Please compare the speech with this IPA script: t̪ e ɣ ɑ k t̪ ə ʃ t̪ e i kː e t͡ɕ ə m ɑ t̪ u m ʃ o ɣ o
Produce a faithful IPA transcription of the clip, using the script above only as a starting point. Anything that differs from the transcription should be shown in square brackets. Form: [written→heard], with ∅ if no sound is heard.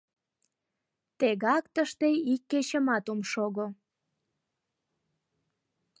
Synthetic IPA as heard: t̪ e ɣ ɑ k t̪ ə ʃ t̪ e i kː e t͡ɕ ə m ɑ t̪ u m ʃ o ɣ o